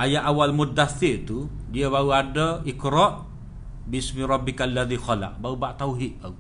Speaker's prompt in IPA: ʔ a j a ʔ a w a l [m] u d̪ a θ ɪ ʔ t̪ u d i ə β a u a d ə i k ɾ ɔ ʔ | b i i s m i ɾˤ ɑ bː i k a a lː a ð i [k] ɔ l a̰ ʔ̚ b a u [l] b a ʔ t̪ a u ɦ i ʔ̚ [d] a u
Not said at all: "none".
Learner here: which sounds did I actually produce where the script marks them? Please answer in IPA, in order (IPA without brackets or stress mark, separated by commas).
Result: m, x, none, b